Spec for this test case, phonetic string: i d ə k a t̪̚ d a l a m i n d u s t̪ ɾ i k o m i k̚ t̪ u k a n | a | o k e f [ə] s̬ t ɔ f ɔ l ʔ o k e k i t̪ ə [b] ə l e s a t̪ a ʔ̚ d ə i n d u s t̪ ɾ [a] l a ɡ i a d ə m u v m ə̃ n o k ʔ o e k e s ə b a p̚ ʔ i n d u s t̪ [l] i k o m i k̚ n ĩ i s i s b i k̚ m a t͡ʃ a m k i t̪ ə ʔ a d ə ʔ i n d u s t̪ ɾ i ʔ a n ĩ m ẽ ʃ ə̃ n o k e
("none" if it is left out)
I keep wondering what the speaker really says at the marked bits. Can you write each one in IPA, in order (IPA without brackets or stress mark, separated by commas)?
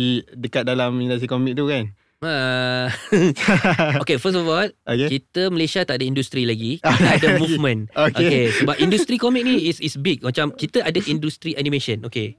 ə, m, i, ɾ